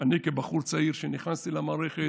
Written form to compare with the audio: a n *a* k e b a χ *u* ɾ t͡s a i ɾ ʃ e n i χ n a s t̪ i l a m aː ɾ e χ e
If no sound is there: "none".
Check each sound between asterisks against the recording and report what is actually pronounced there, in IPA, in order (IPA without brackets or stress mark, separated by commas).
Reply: i, u